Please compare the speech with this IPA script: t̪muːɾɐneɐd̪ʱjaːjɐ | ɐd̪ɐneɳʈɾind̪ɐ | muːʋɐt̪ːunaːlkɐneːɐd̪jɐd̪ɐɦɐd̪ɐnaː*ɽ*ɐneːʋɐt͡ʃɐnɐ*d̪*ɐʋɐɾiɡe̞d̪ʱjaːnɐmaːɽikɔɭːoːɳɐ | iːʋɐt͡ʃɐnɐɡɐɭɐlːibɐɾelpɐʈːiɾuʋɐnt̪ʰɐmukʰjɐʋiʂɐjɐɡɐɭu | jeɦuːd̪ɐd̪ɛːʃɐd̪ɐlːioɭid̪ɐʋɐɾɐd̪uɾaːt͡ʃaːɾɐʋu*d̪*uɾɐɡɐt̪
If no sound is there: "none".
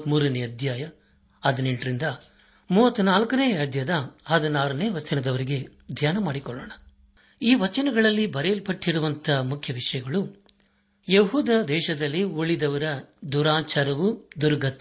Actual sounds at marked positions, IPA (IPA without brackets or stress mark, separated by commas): ɾ, d̪, d̪